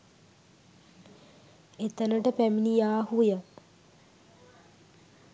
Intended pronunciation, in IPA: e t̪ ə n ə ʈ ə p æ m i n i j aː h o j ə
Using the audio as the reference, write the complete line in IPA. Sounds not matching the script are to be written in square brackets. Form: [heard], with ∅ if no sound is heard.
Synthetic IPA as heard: e t̪ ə n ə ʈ ə p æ m i n i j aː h [u] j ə